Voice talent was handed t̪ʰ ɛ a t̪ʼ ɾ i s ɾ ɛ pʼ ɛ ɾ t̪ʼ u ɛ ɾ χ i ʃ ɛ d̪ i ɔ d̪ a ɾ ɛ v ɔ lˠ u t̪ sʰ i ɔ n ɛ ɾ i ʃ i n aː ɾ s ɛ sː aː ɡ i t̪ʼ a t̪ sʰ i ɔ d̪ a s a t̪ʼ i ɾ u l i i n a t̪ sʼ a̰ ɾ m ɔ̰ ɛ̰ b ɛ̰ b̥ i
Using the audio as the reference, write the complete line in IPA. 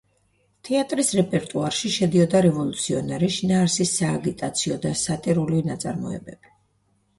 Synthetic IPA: t̪ʰ ɛ a t̪ʼ ɾ i s ɾ ɛ pʼ ɛ ɾ t̪ʼ u a ɾ ʃ i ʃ ɛ d̪ i ɔ d̪ a ɾ ɛ v ɔ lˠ u t̪ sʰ i ɔ n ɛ ɾ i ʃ i n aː ɾ s i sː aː ɡ i t̪ʼ a t̪ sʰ i ɔ d̪ a s a t̪ʼ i ɾ u l i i n a t̪ sʼ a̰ ɾ m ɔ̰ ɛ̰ b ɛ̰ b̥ i